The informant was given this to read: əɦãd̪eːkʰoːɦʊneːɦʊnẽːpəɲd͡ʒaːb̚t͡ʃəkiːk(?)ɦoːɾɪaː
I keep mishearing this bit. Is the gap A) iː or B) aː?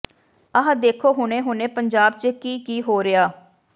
A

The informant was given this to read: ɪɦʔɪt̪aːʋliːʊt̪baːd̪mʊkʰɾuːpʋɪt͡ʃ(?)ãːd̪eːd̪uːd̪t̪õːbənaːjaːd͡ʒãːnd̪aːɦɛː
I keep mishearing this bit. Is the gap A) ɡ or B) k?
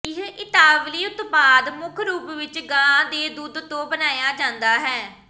A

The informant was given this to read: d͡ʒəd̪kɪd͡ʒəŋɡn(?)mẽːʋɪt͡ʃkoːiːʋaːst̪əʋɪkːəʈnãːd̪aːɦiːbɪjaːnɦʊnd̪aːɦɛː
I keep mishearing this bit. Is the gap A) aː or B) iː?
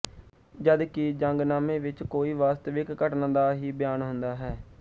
A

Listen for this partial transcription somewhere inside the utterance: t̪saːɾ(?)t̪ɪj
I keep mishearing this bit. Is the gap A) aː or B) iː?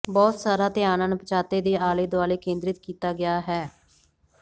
A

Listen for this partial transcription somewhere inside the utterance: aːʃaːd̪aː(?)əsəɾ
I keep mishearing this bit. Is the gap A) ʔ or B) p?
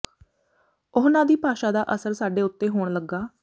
A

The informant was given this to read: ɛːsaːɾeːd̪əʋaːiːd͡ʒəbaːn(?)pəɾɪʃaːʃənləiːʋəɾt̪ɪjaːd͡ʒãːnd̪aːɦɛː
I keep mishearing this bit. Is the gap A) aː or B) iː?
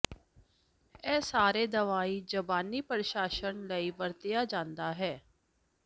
B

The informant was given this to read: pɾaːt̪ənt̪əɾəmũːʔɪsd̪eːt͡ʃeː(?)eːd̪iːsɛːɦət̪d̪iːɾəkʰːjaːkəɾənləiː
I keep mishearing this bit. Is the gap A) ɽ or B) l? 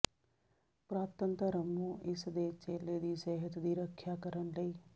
B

